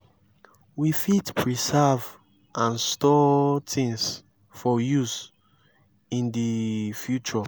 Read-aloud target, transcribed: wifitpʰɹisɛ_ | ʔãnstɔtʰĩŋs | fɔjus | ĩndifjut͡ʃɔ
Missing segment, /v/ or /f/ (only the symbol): v